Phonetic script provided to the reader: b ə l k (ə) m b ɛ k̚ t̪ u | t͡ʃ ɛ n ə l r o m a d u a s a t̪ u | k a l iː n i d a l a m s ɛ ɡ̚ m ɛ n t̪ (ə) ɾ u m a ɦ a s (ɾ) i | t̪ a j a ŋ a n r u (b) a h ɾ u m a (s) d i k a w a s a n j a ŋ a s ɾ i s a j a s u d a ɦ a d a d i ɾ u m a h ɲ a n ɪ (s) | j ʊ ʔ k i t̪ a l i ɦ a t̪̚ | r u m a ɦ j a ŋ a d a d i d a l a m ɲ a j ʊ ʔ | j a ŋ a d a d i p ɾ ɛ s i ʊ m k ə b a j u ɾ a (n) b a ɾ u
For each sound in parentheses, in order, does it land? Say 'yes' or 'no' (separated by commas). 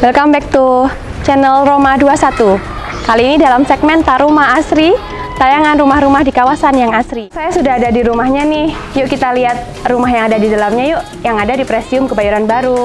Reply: no, no, yes, no, no, no, yes